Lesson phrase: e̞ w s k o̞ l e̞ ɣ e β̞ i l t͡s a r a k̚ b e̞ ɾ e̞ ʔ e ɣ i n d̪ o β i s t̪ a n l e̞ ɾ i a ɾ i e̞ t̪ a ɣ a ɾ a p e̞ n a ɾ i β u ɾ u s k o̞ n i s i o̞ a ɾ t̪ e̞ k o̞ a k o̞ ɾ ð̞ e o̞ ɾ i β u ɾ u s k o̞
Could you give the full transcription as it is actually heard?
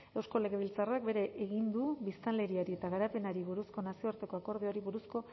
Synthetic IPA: e̞ w s k o̞ l e̞ ɣ e β̞ i l t͡s a r a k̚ b e̞ ɾ e̞ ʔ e ɣ i n d̪ u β i s t̪ a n l e̞ ɾ i a ɾ i e̞ t̪ a ɣ a ɾ a p e̞ n a ɾ i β u ɾ u s k o̞ n a s i o̞ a ɾ t̪ e̞ k o̞ a k o̞ ɾ ð̞ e o̞ ɾ i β u ɾ u s k o̞